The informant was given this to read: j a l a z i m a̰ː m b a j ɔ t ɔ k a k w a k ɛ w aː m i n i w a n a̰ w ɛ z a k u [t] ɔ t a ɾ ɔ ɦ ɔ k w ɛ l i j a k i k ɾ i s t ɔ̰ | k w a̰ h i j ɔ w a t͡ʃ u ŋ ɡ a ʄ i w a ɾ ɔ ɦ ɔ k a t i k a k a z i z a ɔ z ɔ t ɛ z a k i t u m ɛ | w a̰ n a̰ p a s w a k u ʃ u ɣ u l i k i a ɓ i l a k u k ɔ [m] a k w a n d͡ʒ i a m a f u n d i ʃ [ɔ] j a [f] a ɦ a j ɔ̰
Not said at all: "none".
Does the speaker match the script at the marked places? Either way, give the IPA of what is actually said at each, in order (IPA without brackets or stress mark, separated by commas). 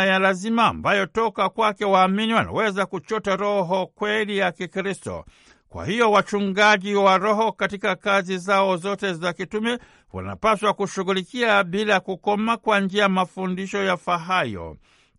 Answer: t͡ʃ, m, ɔ, f